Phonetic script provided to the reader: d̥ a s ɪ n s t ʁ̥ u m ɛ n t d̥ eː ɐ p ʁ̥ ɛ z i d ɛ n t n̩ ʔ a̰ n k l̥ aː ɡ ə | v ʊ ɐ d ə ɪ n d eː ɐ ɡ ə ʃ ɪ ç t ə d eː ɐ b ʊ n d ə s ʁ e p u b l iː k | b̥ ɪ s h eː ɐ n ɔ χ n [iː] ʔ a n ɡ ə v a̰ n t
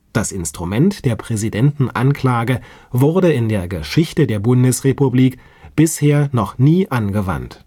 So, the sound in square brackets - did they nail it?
yes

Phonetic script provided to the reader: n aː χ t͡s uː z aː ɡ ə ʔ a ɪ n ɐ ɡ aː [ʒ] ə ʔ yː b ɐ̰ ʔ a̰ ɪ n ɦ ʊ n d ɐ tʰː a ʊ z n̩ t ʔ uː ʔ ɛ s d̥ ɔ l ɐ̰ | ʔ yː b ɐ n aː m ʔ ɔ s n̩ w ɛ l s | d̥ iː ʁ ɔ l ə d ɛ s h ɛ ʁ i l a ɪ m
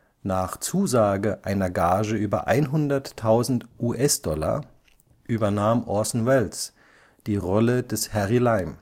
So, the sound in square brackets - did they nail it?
yes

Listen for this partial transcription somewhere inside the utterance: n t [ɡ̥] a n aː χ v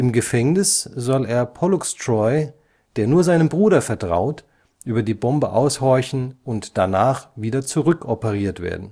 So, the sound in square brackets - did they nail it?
no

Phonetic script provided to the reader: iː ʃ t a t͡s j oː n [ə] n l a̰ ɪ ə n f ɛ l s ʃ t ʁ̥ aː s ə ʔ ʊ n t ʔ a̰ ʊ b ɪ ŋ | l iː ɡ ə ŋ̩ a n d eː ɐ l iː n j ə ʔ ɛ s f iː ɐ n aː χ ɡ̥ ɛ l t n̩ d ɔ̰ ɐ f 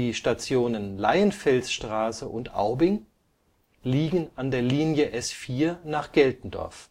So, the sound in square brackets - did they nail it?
yes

